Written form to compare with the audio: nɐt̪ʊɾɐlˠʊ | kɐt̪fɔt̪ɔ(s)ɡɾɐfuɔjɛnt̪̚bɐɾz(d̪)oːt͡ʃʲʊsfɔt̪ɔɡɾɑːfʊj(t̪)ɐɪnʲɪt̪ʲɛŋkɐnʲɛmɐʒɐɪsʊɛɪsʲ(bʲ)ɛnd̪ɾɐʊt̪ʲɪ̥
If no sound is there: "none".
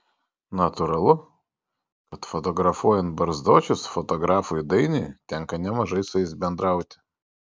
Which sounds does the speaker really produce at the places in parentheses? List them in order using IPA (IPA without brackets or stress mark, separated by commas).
none, d̪, d̪, bʲ